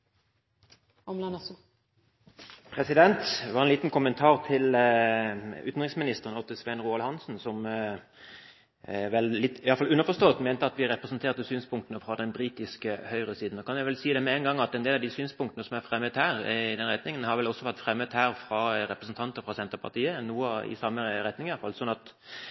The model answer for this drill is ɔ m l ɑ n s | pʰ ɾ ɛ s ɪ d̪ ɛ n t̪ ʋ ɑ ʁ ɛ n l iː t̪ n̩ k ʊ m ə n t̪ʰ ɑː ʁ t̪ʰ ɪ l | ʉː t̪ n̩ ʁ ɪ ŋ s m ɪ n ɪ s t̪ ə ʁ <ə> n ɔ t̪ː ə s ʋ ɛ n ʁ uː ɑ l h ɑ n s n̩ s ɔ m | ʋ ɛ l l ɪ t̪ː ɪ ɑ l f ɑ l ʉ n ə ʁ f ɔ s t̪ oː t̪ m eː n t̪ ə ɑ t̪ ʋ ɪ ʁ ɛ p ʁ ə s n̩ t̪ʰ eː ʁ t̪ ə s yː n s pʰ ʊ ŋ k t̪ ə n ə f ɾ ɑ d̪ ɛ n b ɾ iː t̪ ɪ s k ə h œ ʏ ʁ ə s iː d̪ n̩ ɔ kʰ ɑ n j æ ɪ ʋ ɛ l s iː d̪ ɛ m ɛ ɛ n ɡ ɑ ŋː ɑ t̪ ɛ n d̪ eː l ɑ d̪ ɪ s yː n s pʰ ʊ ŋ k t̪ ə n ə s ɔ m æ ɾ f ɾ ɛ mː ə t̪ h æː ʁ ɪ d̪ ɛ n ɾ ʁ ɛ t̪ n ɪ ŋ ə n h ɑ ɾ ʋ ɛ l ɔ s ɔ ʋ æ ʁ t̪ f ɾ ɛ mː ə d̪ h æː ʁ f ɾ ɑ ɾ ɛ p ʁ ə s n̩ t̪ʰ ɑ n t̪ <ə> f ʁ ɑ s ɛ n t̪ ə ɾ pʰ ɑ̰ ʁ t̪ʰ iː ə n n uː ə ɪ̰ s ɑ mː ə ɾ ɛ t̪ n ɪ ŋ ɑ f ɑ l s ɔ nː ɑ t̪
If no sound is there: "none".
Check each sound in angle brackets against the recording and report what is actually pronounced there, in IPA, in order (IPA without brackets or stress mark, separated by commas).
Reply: ə, ə